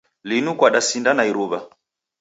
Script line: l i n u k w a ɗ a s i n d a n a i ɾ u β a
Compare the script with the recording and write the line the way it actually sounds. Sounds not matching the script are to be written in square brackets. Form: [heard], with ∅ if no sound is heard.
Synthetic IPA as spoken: l i n u k w a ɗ a s i n d a n a i ɾ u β a